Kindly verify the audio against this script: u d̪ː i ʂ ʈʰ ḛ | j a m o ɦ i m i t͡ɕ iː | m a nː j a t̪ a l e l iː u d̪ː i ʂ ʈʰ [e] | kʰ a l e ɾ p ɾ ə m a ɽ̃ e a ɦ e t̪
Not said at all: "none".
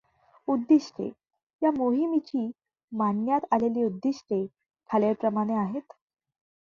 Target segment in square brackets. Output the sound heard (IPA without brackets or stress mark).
e